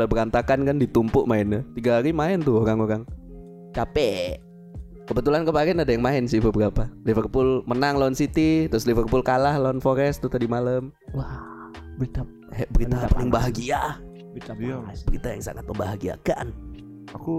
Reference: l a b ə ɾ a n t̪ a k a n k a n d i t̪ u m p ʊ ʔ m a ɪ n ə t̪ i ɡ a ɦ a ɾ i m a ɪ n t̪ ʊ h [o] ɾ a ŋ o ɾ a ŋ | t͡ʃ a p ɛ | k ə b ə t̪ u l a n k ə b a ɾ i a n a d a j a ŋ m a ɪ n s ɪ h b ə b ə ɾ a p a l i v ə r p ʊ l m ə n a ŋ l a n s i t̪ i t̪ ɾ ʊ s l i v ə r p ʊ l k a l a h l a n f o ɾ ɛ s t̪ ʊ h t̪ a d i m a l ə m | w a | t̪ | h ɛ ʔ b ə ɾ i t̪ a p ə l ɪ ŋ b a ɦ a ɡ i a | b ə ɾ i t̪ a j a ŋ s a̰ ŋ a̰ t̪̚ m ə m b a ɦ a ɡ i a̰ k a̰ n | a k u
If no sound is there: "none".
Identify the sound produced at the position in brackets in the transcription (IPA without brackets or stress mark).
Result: o